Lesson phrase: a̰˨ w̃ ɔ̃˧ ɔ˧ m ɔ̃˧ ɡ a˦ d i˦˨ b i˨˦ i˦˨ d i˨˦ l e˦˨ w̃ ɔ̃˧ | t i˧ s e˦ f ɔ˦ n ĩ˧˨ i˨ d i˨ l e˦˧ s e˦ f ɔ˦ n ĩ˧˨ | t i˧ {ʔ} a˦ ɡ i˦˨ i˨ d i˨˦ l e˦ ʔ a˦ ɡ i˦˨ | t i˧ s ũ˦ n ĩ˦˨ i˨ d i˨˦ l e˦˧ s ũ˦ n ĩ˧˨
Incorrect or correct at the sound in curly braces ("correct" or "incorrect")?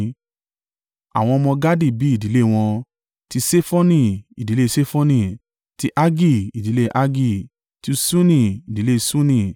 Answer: correct